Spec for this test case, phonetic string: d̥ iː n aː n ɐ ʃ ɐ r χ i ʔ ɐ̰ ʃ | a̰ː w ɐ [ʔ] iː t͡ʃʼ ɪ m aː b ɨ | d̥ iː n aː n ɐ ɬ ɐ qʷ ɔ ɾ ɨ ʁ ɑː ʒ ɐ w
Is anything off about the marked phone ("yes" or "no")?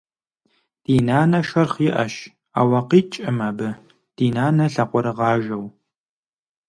yes